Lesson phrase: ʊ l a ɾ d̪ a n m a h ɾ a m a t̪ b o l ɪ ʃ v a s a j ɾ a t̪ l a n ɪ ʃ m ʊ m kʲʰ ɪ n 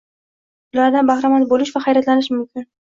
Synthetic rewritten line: ʊ l a ɾ d̪ a n b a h ɾ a m a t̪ b o l ɪ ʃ v a χ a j ɾ a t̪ l a n ɪ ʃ m ʊ m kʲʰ ɪ n